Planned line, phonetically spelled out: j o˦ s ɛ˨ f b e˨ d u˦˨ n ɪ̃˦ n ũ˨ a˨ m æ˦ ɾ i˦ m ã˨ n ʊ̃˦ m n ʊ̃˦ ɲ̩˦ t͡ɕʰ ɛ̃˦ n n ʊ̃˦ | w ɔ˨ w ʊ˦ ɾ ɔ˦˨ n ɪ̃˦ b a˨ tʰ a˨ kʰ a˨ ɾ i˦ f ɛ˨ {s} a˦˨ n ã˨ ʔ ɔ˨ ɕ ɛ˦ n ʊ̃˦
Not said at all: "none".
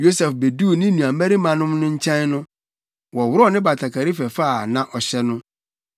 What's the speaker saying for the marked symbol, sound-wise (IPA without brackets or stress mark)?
f